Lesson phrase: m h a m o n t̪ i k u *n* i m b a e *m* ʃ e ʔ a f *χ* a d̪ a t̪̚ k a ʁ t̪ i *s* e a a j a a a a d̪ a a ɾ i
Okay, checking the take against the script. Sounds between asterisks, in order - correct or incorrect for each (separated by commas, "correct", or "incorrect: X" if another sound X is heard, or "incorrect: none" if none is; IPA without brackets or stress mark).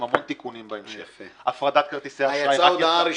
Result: correct, correct, incorrect: ʁ, correct